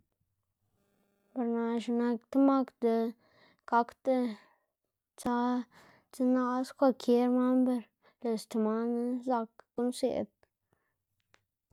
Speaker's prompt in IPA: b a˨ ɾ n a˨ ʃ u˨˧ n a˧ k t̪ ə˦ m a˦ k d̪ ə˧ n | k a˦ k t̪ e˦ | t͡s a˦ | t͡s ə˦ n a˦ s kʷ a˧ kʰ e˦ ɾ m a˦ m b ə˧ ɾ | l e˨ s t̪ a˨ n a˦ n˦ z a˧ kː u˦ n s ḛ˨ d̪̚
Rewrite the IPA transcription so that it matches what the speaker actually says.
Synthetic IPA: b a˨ ɾ n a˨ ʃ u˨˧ n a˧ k t̪ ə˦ m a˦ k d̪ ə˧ | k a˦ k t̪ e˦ | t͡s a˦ | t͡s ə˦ n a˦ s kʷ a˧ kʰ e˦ ɾ m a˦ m b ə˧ ɾ | l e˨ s t̪ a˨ m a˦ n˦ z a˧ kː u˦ n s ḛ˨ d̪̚